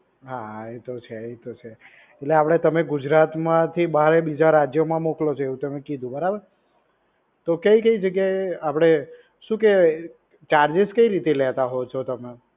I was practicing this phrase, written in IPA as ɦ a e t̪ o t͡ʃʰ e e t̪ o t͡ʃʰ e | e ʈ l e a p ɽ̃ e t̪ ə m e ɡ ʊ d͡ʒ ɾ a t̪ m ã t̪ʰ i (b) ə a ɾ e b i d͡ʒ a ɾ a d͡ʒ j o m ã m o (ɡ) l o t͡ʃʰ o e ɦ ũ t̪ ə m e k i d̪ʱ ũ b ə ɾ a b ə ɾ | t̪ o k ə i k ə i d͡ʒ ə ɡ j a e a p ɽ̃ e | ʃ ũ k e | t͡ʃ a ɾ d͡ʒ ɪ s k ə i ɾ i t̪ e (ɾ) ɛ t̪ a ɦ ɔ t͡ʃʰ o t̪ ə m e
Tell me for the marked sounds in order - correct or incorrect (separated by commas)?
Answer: correct, incorrect, incorrect